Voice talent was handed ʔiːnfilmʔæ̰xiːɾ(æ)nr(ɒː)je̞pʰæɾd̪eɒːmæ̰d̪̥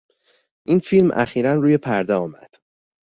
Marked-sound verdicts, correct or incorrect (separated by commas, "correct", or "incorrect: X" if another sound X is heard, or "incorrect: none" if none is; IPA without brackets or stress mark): correct, incorrect: uː